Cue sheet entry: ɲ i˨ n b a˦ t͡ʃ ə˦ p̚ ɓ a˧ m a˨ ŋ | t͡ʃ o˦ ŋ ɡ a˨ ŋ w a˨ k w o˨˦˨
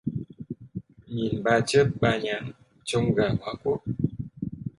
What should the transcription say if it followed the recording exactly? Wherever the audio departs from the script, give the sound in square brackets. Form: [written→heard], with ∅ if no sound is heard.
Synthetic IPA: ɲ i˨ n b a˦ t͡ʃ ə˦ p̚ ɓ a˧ [m→ɲ] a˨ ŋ | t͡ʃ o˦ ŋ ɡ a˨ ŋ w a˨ k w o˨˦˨